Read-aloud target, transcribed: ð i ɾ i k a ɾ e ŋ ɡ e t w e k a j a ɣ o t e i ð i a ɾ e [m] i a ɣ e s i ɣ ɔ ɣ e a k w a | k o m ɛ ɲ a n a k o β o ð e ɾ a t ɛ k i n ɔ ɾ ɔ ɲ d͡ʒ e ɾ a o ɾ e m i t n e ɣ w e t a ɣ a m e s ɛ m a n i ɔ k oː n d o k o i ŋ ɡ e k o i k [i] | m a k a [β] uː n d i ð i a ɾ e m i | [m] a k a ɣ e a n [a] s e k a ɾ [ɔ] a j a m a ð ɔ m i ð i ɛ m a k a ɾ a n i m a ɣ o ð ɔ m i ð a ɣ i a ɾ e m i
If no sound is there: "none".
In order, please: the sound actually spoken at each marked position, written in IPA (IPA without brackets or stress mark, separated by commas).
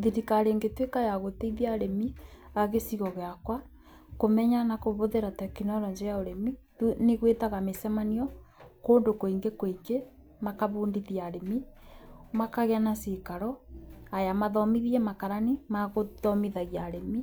m, e, β, m, a, ɔ